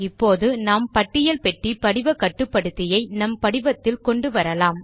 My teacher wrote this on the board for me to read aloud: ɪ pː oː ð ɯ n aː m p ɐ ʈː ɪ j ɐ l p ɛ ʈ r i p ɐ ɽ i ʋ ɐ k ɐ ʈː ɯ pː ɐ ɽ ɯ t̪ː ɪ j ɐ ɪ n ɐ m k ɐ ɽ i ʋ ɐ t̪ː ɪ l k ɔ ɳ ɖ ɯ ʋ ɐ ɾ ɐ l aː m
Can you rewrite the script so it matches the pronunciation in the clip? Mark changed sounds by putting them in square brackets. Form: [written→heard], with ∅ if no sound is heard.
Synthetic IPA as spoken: ɪ pː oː ð ɯ n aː m p ɐ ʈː ɪ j ɐ l p ɛ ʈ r i p ɐ ɽ [i→ɪ] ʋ ɐ k ɐ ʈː ɯ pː ɐ ɽ ɯ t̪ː ɪ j ɐ ɪ n ɐ m [k→p] ɐ ɽ [i→ɪ] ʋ ɐ t̪ː ɪ l k ɔ ɳ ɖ ɯ ʋ ɐ ɾ ɐ l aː m